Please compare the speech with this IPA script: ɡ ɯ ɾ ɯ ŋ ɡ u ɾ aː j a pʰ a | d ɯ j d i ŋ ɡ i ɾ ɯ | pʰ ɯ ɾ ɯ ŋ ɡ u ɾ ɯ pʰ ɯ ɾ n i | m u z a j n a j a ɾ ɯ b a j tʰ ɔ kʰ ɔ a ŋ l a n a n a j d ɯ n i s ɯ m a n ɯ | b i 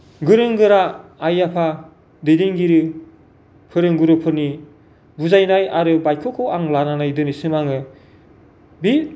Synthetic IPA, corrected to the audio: ɡ ɯ ɾ ɯ ŋ ɡ ɯ ɾ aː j a pʰ a | d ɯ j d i ŋ ɡ i ɾ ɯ | pʰ ɯ ɾ ɯ ŋ ɡ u ɾ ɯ pʰ ɯ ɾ n i | b u z a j n a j a ɾ ɯ b a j kʰ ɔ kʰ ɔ a ŋ l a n a n a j d ɯ n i s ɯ m a ŋ ɯ | b i